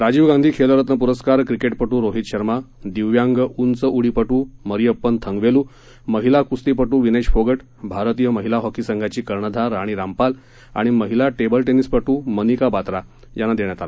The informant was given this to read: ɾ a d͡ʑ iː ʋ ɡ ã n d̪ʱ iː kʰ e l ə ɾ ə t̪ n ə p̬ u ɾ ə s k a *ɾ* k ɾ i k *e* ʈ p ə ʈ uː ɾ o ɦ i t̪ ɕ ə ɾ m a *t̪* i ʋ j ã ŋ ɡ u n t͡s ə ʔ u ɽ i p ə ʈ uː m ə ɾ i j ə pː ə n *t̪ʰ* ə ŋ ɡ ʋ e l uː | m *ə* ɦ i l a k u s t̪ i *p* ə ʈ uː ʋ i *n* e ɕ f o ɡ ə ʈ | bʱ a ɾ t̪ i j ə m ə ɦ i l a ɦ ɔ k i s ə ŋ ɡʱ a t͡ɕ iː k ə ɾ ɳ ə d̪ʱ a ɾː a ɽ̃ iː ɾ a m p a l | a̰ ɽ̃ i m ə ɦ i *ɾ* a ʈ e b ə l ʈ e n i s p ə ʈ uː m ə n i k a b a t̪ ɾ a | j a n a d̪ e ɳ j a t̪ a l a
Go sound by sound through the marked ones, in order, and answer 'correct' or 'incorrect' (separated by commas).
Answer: correct, correct, incorrect, correct, correct, correct, correct, incorrect